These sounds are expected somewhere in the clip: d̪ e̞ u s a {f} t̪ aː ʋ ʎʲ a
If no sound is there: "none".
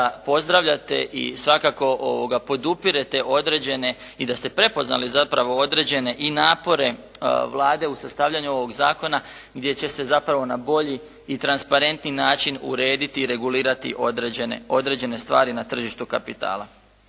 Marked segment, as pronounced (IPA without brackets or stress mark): s